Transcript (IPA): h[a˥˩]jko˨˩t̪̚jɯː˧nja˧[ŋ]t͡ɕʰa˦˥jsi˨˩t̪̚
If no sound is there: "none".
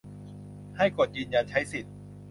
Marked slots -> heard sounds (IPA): a˥˩, n

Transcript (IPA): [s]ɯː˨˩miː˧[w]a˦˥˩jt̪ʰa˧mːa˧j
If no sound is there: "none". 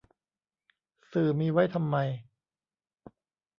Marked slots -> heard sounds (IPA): s, w

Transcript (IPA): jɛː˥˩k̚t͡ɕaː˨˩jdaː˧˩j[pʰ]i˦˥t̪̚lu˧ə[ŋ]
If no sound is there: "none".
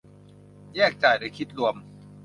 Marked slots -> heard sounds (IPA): kʰ, m

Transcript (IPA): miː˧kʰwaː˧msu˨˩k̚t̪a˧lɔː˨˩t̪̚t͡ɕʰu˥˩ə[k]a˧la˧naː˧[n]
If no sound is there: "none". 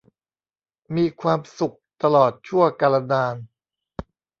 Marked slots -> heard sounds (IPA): k, n

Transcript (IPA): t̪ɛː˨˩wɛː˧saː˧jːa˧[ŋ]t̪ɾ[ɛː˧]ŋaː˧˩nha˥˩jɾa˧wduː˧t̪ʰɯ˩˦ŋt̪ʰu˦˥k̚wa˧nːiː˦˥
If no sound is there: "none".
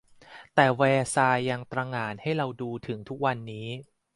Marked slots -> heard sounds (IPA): ŋ, aː˧

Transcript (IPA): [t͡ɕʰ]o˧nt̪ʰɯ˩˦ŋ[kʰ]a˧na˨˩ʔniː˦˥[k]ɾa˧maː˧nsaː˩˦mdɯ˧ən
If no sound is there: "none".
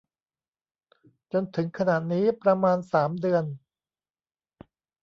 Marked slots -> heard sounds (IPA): t͡ɕ, kʰ, p

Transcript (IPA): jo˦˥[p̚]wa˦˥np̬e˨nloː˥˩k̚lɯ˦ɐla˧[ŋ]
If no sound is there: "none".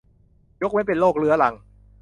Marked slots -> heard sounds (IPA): k̚, ŋ

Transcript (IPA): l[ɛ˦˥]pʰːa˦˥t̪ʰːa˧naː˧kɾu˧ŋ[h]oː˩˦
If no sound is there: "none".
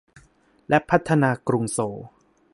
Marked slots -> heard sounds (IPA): ɛ˦˥, s

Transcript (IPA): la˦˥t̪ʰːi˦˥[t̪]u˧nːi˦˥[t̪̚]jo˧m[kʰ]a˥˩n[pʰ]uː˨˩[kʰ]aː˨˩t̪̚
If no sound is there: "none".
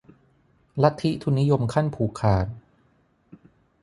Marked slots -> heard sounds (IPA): t̪ʰ, none, kʰ, pʰ, kʰ

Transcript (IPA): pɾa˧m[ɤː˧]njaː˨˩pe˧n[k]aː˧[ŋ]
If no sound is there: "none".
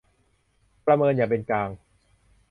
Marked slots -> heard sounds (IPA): ɤː˧, k, ŋ

